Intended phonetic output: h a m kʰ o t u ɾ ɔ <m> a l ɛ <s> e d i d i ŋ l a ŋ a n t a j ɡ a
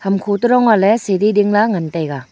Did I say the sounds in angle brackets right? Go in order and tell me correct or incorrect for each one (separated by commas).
incorrect, correct